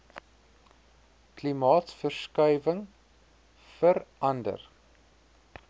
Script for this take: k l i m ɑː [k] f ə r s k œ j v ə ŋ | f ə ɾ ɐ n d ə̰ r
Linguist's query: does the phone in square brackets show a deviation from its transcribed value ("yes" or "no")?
yes